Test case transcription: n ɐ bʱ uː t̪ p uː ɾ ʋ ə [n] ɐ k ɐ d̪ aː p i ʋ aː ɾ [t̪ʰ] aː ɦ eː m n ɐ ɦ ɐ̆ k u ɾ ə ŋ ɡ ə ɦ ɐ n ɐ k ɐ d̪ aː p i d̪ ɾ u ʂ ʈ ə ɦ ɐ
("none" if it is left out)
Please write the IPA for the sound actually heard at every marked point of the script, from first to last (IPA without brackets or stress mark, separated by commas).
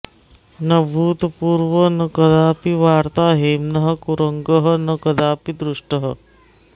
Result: n, t̪